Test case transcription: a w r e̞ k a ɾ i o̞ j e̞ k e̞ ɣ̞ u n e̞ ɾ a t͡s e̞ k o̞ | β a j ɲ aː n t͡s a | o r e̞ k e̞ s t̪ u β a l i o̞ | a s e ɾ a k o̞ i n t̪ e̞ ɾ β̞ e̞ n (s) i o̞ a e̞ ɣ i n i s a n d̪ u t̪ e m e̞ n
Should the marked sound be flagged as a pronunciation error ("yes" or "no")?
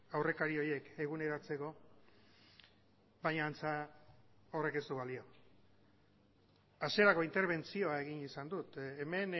yes